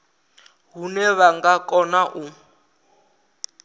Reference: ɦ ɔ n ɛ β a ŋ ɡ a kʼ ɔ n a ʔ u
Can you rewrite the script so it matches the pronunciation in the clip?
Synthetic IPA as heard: ɦ u n ɛ β a ŋ ɡ a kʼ ɔ n a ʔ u

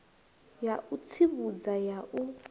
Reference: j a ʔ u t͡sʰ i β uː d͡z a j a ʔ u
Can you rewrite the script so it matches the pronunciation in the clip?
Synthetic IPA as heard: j a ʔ u t͡sʰ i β u d͡z a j a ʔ u

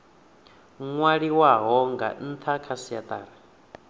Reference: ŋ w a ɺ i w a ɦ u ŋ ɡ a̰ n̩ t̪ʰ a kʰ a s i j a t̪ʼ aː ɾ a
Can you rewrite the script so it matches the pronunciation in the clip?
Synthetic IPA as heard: ŋ w a ɺ i w a ɦ ɔ ŋ ɡ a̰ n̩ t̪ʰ a kʰ a s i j a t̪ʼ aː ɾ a

